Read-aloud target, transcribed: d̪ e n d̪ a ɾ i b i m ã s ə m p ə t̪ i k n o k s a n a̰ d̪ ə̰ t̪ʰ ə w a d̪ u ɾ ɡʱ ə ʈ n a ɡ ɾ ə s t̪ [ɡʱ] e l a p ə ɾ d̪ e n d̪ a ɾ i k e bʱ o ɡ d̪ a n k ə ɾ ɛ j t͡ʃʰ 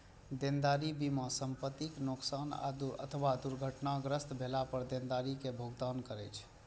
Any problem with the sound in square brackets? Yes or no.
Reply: yes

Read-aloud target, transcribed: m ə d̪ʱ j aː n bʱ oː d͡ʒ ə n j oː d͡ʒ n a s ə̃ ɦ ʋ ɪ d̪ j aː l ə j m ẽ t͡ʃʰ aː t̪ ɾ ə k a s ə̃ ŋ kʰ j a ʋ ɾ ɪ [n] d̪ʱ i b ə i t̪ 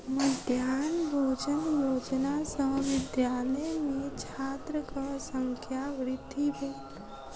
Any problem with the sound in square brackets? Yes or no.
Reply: yes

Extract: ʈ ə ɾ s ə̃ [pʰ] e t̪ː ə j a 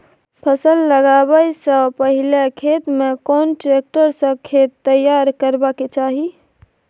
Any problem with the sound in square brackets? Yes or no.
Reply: yes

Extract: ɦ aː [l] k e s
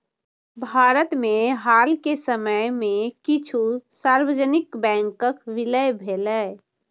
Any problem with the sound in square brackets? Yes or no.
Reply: no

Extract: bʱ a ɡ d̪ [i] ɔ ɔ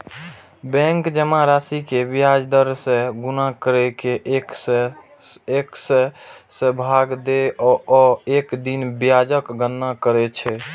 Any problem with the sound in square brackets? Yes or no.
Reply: yes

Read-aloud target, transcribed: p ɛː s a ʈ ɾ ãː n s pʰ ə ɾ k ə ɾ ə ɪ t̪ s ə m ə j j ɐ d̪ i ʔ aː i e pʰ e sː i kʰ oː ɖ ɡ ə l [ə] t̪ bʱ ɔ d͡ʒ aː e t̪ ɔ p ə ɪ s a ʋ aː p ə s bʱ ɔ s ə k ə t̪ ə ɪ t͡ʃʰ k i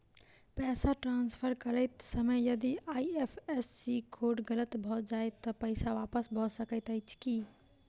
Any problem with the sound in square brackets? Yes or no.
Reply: no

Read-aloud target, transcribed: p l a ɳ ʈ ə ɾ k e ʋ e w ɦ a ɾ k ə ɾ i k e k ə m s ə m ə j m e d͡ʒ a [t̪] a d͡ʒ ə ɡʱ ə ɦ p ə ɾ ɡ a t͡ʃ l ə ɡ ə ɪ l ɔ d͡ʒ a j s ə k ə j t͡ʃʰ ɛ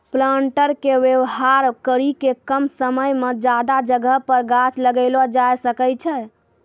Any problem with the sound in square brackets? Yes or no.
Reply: yes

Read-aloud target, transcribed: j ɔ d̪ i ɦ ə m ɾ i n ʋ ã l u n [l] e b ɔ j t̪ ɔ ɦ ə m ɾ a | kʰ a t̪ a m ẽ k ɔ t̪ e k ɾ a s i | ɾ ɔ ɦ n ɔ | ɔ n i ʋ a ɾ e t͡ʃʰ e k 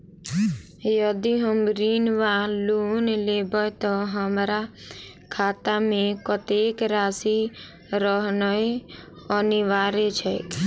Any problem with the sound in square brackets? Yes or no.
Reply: no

